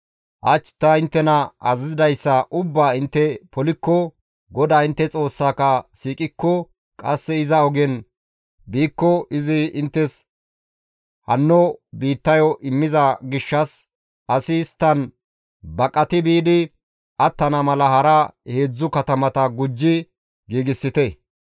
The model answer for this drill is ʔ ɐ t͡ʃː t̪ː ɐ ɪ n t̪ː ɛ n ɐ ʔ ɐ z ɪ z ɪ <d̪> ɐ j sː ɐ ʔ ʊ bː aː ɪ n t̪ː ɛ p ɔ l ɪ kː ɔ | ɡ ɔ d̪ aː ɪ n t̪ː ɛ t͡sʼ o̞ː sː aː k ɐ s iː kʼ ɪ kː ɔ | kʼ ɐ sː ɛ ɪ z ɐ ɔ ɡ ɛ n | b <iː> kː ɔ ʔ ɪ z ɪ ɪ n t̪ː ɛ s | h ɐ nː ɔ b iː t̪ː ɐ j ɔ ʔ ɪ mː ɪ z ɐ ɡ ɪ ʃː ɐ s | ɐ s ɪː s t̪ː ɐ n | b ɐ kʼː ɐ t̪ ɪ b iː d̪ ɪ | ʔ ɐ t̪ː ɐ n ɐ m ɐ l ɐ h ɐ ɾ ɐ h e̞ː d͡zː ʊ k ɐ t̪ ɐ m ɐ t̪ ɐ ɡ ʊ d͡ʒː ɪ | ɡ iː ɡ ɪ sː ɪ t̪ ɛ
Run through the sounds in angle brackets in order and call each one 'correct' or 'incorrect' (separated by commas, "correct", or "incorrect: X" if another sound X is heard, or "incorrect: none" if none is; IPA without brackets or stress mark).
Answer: correct, correct